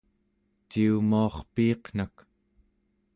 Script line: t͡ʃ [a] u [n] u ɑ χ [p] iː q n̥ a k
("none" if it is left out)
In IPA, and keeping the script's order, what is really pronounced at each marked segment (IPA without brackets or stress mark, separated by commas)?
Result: i, m, p